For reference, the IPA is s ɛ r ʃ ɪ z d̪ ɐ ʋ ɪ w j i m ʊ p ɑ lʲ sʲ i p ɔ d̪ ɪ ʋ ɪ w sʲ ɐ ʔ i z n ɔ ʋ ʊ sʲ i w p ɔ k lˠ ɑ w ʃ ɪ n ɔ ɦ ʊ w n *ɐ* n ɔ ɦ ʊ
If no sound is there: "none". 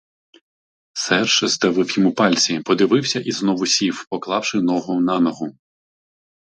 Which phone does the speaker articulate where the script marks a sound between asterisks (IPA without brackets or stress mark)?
ɑ